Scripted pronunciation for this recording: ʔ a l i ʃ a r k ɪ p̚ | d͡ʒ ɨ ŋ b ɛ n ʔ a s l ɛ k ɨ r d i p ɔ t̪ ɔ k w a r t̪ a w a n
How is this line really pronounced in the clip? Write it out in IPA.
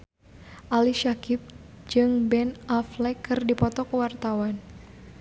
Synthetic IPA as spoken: ʔ a l i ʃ a k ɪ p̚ | d͡ʒ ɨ ŋ b ɛ n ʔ a f l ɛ k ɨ r d i p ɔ t̪ ɔ k w a r t̪ a w a n